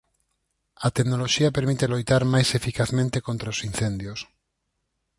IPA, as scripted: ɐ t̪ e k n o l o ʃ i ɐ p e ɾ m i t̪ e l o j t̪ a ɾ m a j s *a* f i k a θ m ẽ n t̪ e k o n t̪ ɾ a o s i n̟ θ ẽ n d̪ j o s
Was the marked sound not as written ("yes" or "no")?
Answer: yes